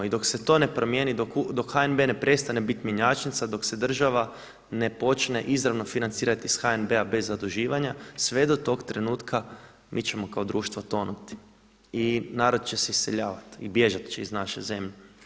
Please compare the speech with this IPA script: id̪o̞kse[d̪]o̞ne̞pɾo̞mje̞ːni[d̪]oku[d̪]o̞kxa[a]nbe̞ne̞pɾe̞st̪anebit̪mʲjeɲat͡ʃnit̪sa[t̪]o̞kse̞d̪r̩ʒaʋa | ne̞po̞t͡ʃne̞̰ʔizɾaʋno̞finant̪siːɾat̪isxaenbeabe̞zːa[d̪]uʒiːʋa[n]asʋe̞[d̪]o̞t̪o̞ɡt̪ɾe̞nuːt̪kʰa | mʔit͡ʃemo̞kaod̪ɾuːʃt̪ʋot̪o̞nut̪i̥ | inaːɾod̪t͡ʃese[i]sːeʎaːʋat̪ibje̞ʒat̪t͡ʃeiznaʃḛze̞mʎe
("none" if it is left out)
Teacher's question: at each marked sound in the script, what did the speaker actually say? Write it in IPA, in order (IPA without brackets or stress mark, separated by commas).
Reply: t̪, d̪, d̪, e, d̪, d̪, ɲ, d̪, i